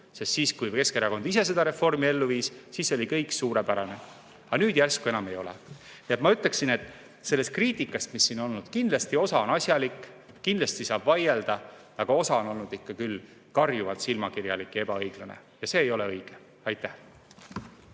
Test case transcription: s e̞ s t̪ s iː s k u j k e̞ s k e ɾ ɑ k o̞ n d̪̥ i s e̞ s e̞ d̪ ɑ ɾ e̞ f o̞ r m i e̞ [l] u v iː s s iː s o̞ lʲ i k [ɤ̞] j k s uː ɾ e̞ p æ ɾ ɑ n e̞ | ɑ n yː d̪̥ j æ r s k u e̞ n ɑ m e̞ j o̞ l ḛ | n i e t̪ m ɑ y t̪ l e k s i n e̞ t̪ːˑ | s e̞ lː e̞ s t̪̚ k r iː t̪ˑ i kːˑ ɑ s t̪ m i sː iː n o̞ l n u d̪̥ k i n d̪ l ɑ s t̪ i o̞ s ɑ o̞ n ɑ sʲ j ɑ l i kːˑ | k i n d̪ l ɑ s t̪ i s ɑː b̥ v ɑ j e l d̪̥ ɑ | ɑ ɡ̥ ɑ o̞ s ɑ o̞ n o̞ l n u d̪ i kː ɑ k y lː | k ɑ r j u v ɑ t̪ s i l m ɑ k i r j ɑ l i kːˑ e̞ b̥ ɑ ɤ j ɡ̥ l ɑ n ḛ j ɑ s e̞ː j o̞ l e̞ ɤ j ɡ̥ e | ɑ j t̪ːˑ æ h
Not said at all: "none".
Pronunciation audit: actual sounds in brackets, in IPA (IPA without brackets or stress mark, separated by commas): lː, ɤ̞